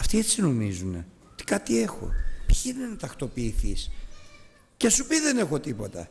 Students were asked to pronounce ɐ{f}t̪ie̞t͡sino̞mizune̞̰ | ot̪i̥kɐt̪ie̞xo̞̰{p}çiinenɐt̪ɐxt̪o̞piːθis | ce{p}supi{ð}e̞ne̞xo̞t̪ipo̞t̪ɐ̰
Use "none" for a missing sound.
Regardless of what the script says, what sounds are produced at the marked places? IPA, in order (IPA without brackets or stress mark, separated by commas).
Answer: f, p, none, ð